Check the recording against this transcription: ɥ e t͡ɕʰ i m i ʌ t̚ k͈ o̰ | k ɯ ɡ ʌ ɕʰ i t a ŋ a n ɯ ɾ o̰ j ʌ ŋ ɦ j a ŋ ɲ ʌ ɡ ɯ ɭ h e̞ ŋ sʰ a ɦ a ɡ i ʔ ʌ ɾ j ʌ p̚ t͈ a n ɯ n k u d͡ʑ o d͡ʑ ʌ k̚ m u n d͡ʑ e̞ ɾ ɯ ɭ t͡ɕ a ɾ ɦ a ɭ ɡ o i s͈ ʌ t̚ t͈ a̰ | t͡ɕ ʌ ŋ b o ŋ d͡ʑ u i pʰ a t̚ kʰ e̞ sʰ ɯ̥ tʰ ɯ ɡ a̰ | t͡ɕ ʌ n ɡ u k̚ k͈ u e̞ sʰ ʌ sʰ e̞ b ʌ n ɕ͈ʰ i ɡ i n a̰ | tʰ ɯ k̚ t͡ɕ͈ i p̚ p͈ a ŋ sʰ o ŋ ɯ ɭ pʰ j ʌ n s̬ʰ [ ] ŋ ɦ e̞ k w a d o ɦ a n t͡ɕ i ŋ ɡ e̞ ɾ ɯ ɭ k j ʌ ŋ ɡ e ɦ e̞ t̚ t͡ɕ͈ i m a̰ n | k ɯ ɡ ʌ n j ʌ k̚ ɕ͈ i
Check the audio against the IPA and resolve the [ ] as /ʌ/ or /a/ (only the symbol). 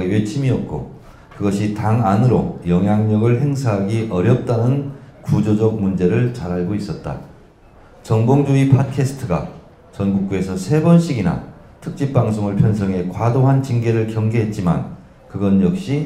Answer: ʌ